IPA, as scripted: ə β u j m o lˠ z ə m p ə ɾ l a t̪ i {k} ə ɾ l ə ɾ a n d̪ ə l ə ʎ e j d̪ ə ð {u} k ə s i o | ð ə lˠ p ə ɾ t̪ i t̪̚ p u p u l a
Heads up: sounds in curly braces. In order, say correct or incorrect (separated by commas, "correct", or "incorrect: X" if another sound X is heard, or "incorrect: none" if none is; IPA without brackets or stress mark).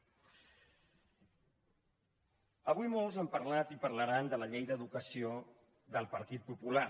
incorrect: p, correct